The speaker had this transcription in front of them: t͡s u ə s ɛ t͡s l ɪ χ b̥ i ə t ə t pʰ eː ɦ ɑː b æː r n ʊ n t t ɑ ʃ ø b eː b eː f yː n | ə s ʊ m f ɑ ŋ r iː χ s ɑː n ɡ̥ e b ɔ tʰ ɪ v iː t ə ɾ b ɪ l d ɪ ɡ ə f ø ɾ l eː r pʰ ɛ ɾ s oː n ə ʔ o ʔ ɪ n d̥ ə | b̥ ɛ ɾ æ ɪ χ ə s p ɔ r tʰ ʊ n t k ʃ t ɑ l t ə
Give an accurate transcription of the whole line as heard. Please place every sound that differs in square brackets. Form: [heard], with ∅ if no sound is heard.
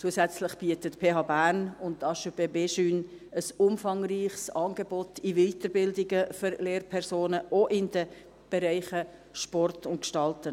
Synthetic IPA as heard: t͡s u ə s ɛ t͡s l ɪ χ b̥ i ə t ə t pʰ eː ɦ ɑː b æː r n ʊ n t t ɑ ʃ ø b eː b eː [ʃ] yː n | ə s ʊ m f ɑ ŋ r iː χ s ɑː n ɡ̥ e b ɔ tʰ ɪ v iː t ə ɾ b ɪ l d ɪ ɡ ə f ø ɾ l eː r pʰ ɛ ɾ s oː n ə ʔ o ʔ ɪ n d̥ ə | b̥ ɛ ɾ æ ɪ χ ə [ʃ] p ɔ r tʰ ʊ n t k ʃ t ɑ l t ə